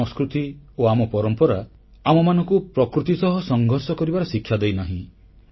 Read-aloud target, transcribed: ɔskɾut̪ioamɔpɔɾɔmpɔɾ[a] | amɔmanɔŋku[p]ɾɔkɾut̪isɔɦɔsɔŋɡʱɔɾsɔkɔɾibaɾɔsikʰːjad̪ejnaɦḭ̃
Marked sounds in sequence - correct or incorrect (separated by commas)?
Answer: correct, correct